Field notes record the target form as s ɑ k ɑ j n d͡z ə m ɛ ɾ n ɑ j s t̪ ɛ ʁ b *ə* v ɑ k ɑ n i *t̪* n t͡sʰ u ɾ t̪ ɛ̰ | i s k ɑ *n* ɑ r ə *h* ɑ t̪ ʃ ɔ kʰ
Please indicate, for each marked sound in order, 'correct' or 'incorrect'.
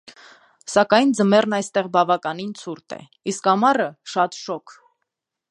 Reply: incorrect: ɑ, incorrect: none, incorrect: m, incorrect: ʃ

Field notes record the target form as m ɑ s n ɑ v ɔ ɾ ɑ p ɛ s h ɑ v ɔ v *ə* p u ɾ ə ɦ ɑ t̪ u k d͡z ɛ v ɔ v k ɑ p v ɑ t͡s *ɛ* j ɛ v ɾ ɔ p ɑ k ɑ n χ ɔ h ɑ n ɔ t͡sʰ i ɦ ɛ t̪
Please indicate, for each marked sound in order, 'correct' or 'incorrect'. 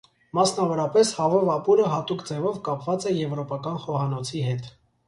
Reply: incorrect: ɑ, correct

